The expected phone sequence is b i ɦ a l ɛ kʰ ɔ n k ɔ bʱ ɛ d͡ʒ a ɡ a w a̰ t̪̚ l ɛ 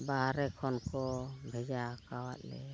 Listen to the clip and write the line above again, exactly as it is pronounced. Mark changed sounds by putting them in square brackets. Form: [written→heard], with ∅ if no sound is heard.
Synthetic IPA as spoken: b [i→a] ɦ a [l→ɾ] ɛ kʰ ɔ n k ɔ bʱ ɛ d͡ʒ a [ɡ→k] a w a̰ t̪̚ l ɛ